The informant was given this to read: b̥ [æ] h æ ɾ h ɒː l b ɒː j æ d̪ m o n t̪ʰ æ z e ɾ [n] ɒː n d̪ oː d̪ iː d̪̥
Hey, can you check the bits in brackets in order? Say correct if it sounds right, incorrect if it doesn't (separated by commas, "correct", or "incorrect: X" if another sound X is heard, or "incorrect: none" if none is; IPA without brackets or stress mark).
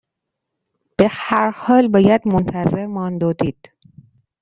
incorrect: e, incorrect: m